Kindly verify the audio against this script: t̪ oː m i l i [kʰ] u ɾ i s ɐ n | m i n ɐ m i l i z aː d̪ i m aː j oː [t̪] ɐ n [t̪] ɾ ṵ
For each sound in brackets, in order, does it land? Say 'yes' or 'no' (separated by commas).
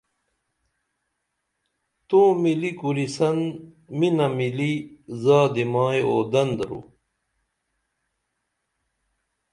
no, no, no